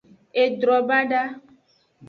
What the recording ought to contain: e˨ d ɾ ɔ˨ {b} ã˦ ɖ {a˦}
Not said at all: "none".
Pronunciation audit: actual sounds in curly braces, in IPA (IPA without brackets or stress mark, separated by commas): b, a˦